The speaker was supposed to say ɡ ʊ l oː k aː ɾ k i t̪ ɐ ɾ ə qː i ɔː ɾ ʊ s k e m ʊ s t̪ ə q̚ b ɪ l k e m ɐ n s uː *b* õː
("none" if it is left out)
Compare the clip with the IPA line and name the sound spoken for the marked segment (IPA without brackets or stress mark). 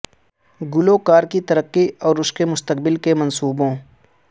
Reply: b